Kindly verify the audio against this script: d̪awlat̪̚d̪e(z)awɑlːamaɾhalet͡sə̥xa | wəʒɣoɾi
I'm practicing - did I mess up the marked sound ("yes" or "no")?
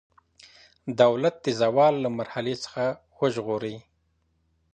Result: no